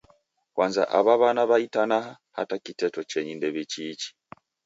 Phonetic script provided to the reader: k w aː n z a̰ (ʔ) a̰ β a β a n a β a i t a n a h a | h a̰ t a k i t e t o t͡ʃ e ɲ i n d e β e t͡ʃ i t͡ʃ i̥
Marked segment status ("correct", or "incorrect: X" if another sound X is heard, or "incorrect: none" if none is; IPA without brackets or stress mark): correct